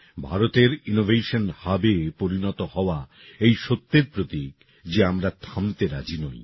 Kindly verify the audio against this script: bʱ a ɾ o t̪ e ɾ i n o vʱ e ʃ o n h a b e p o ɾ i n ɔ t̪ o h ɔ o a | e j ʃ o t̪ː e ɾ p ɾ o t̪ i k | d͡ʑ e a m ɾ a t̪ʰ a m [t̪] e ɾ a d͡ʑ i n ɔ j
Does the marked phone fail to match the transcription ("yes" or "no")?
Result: no